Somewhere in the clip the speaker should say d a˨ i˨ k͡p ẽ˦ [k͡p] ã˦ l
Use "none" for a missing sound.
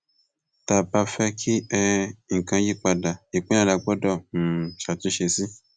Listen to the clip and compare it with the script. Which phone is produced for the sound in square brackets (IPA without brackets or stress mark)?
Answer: none